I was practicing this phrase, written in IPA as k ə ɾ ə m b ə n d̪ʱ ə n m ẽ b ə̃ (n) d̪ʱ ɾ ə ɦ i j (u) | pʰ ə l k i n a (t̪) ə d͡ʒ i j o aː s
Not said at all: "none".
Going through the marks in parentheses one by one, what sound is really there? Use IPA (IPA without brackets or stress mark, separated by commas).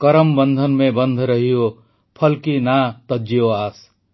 n, o, t̪